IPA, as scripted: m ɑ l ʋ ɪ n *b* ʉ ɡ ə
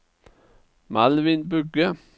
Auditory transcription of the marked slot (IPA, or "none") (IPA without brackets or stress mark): b